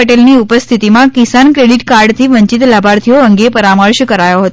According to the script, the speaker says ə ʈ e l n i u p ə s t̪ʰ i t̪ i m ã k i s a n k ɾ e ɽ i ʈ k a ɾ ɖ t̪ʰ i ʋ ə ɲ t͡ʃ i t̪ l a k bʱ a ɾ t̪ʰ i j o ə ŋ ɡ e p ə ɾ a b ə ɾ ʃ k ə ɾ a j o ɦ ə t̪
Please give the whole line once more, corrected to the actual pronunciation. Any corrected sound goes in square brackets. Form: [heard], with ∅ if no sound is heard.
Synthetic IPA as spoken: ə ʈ e l n i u p ə s t̪ʰ i t̪ i m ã k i s a n k ɾ e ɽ i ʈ k a ɾ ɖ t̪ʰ i ʋ ə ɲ t͡ʃ i t̪ l a [∅] bʱ a ɾ t̪ʰ i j o ə ŋ ɡ e p ə ɾ a [m] ə ɾ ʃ k ə ɾ a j o ɦ ə t̪